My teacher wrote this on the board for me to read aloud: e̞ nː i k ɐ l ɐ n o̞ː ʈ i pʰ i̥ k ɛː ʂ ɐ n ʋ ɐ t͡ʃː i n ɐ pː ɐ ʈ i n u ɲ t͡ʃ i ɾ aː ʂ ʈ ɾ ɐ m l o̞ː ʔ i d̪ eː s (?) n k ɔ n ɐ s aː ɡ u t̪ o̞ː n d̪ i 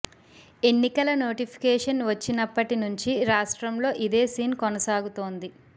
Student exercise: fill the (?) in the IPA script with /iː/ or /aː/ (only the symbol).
iː